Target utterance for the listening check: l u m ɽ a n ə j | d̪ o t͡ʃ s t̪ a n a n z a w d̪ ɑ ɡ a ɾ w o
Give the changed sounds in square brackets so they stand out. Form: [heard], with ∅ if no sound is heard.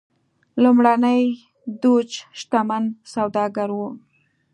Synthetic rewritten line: l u m ɽ a n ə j | d̪ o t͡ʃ [ʃ] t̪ a [m] a n [s] a w d̪ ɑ ɡ a ɾ w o